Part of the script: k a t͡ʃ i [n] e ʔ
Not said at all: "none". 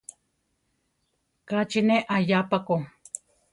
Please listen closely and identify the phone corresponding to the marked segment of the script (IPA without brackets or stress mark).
n